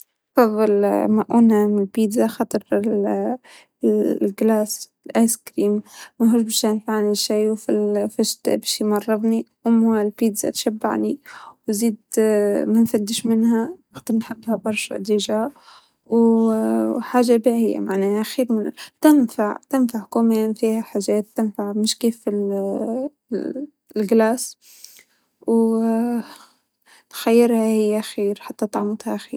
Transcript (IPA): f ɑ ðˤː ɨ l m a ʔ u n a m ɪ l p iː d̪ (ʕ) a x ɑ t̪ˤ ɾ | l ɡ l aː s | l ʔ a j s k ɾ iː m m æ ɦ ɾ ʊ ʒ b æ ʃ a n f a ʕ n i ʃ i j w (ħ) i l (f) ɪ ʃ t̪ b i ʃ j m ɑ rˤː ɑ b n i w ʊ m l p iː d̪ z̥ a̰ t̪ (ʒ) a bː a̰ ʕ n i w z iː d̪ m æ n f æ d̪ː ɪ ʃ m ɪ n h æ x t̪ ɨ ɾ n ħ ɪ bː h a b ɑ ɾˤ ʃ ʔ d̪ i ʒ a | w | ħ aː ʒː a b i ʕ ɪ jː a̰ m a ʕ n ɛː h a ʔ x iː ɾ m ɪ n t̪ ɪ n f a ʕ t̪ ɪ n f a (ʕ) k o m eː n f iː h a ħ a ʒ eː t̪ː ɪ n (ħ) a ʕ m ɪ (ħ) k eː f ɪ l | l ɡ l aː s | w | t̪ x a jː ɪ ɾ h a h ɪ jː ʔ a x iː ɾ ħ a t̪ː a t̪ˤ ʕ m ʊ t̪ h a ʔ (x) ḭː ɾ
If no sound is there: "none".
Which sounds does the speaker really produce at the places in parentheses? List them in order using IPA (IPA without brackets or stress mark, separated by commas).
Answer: z, f, f, ʃ, ʕ, f, ʃ, x